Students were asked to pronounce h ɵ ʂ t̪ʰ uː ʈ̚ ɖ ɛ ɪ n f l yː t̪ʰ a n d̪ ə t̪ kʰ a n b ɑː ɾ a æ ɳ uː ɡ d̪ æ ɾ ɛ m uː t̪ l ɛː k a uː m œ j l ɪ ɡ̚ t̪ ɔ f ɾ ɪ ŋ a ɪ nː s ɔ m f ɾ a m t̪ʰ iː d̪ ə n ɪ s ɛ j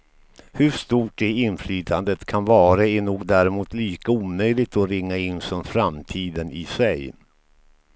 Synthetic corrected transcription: h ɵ ʂ t̪ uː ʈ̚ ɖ ɛ ɪ n f l yː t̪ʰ a n d̪ ə t̪ kʰ a n v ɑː ɾ a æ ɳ uː ɡ d̪ æ ɾ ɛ m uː t̪ l iː k a uː m œ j l ɪ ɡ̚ t̪ ɔ ɾ ɪ ŋː a ɪ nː s ɔ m f ɾ a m t̪ʰ iː d̪ ə n ɪ s ɛ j